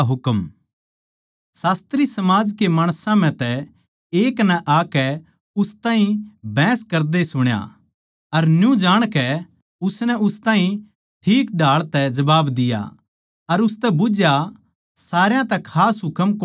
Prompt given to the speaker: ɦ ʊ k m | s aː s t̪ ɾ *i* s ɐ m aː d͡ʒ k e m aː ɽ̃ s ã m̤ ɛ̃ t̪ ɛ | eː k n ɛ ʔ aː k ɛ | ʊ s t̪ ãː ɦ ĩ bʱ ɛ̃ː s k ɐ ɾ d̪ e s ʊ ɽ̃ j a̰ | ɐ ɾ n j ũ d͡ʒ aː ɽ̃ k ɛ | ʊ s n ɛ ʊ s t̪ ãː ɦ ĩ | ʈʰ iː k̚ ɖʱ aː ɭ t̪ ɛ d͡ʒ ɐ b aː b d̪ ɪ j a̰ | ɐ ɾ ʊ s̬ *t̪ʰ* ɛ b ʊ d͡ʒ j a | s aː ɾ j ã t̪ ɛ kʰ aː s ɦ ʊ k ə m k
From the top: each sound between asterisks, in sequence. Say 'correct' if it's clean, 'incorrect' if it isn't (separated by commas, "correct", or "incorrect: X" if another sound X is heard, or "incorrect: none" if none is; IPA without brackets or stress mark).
correct, incorrect: t̪